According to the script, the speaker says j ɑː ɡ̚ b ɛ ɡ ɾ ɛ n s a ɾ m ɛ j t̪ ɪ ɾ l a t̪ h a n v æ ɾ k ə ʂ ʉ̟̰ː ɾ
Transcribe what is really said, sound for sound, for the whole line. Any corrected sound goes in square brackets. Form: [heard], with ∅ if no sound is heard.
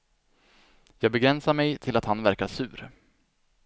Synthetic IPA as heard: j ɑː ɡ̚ b ɛ ɡ ɾ ɛ n s a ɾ m ɛ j [t̪ʰ] ɪ [∅] l a t̪ h a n v æ ɾ k [a] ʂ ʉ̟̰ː ɾ

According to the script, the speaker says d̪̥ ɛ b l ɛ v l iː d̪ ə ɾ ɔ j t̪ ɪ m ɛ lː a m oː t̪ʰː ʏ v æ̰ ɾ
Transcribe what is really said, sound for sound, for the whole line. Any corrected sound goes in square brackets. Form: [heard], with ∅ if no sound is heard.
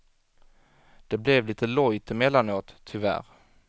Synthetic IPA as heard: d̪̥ ɛ b l ɛ v l iː [t̪] ə [l] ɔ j t̪ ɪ m ɛ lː a [n] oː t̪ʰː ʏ v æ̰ ɾ

